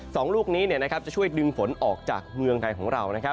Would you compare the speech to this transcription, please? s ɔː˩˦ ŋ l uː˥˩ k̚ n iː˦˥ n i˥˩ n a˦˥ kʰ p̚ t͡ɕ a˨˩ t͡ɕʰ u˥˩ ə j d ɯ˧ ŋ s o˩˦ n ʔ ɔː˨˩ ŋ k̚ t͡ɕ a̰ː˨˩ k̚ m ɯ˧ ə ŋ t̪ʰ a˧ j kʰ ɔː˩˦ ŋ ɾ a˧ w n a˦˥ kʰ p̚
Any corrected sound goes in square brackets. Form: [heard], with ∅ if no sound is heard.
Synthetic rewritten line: s ɔː˩˦ ŋ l uː˥˩ k̚ n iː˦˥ n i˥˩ n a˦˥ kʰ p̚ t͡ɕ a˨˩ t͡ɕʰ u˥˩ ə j d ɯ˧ ŋ [f] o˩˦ n ʔ ɔː˨˩ [∅] k̚ t͡ɕ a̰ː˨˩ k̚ m ɯ˧ ə ŋ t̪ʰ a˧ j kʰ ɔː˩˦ ŋ ɾ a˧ w n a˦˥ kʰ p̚